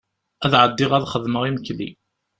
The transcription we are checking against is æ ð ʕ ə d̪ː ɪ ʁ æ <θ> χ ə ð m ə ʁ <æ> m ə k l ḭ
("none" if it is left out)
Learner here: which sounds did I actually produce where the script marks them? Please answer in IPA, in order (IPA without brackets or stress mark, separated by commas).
ð, i